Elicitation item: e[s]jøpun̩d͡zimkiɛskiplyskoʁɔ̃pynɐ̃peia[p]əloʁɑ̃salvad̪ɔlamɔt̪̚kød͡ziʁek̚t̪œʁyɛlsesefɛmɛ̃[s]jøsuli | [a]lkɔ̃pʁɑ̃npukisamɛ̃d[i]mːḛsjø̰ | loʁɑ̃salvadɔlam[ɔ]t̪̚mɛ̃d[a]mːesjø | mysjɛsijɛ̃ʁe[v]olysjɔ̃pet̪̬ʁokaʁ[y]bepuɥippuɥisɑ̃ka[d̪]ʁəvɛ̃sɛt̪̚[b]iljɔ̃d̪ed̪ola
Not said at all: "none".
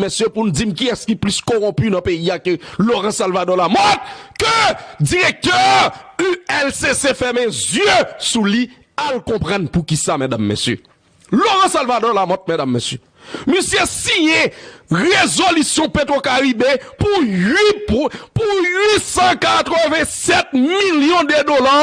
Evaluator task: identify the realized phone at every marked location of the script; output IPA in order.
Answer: s, k, z, a, a, ɔ, a, z, i, t̪, m

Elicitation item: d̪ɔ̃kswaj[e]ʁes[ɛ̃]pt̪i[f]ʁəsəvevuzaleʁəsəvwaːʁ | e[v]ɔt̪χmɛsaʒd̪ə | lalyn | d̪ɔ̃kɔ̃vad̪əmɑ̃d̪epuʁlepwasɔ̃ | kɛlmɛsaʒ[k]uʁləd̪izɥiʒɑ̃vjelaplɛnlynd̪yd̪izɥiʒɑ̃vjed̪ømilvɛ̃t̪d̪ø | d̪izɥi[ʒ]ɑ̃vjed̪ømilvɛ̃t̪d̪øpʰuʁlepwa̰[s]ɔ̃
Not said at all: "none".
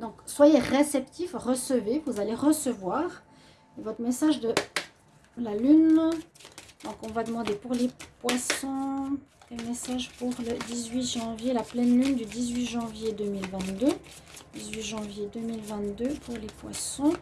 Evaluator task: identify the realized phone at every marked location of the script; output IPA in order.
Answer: e, ɛ, f, v, p, ʒ, s

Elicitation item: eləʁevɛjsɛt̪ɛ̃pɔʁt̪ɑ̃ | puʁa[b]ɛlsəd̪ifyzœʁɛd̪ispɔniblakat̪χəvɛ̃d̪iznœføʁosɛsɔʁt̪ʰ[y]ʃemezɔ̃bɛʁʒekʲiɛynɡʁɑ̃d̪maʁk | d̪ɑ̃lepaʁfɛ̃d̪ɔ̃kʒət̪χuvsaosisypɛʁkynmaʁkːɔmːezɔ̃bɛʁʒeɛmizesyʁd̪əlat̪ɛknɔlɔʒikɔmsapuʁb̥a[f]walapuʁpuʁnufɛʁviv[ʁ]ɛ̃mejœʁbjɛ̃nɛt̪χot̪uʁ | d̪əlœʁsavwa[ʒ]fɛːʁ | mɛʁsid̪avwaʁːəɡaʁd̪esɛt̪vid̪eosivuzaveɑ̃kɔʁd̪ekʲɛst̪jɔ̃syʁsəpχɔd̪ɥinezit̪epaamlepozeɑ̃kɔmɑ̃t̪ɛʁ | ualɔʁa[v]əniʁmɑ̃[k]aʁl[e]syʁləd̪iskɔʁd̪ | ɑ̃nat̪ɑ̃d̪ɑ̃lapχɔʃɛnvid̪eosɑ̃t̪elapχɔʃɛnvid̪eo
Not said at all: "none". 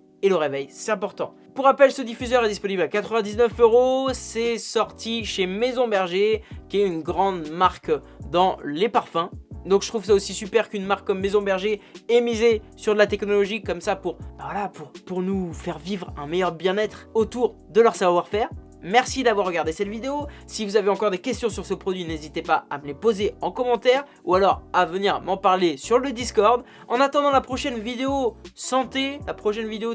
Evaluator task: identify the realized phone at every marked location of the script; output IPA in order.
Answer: p, i, v, ʁ, ʁ, v, p, e

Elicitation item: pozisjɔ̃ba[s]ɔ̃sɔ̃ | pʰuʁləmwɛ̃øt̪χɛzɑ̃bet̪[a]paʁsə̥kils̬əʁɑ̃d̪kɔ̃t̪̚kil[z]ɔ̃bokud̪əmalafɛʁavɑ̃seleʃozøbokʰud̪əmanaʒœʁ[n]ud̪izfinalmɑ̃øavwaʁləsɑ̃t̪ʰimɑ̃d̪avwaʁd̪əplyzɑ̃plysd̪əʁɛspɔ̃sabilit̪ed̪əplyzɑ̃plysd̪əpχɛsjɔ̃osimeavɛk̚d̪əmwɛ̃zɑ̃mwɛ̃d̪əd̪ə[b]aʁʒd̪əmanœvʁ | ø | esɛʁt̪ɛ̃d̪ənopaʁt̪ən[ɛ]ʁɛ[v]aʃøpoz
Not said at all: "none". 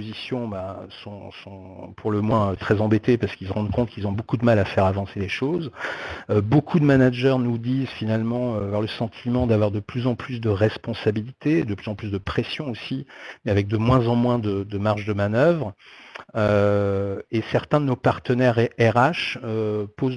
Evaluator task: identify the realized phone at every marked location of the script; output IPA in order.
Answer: s, e, z, n, m, ɛ, ʁ

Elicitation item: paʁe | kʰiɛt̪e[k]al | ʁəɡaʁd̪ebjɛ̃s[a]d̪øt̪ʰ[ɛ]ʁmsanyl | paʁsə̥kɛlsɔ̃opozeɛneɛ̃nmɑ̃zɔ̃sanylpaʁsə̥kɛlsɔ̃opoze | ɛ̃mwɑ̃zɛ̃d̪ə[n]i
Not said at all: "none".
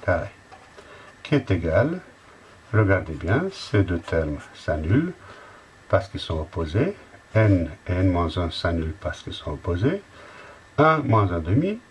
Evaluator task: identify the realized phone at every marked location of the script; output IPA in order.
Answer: ɡ, e, ɛ, m

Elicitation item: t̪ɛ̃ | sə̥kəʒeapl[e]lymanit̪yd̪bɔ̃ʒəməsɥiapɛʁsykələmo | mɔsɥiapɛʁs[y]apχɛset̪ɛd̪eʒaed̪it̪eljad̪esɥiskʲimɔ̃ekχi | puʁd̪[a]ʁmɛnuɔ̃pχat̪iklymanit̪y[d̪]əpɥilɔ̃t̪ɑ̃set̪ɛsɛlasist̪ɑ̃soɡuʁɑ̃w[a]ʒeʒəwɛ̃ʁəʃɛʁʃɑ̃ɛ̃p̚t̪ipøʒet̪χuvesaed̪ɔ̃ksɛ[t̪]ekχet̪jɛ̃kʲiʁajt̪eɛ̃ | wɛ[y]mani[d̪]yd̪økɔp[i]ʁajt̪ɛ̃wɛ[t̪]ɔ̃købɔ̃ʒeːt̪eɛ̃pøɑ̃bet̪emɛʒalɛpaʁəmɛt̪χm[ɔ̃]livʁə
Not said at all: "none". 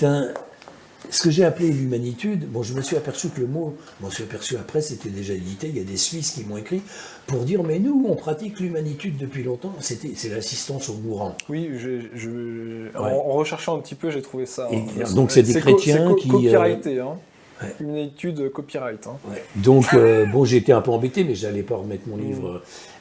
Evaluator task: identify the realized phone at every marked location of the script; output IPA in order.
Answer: e, y, i, d̪ː, i, d̪, y, t̪, i, d̪, ɔ̃

